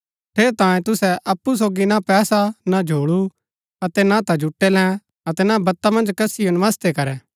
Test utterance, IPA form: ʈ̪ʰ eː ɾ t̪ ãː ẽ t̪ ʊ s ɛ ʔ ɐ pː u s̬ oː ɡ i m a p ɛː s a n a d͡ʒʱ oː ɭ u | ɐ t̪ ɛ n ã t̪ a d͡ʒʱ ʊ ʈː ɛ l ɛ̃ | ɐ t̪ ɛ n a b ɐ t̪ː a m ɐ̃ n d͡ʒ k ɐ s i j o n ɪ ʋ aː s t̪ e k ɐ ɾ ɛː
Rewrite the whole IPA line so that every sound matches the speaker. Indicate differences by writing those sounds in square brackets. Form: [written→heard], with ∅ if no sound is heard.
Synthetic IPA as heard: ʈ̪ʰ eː ɾ t̪ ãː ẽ t̪ ʊ s ɛ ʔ ɐ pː u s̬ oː ɡ i [m→n] a p ɛː s a n a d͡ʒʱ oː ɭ u | ɐ t̪ ɛ n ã t̪ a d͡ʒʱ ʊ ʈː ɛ l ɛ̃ | ɐ t̪ ɛ n a b ɐ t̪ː a m ɐ̃ n d͡ʒ k ɐ s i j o n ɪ ʋ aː s t̪ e k ɐ ɾ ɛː